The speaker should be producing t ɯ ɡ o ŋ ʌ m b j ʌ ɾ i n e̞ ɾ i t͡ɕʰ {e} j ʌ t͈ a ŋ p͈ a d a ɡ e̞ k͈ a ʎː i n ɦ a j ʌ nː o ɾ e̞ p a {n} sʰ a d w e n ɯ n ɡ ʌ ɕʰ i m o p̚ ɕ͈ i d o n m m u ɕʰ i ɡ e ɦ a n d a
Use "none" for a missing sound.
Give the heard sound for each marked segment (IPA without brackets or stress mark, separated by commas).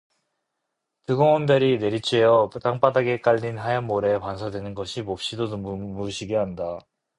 e, n